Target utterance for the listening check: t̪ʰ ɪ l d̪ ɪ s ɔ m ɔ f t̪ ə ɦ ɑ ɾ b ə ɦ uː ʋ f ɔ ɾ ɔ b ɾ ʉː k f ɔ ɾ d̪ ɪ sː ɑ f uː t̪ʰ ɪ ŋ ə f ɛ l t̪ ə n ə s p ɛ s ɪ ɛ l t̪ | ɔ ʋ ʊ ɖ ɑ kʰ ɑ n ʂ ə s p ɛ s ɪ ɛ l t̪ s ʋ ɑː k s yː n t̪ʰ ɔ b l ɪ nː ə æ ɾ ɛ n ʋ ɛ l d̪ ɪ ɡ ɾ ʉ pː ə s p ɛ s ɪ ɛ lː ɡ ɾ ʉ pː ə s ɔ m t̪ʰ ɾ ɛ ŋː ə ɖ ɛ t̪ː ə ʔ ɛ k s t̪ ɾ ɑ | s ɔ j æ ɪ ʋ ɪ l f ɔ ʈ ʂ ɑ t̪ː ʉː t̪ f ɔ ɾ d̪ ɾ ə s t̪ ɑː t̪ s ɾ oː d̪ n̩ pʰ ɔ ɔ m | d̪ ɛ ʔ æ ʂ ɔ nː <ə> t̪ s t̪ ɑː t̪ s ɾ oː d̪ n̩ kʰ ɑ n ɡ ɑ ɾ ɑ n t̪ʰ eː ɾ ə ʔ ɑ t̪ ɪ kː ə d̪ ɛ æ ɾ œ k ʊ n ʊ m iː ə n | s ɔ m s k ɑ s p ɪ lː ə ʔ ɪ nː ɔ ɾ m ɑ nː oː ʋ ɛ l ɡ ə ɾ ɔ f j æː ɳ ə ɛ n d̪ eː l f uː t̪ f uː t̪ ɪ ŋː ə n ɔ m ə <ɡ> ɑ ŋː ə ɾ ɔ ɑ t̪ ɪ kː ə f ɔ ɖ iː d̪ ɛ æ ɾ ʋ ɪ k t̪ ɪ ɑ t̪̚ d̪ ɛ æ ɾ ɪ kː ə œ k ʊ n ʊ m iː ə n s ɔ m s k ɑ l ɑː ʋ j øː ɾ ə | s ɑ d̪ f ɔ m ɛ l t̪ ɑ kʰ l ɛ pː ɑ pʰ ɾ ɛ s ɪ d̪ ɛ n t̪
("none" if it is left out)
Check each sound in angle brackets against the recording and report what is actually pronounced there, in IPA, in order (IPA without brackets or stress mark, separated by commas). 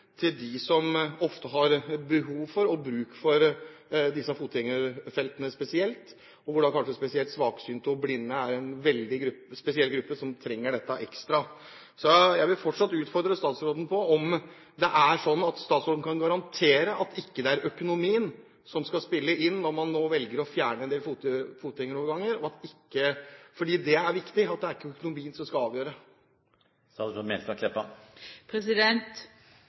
ɑ, ɡ